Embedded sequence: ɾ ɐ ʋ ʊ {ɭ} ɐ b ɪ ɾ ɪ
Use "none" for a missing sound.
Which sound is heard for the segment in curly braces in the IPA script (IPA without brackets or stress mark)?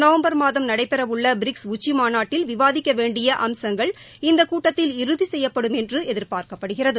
ɭː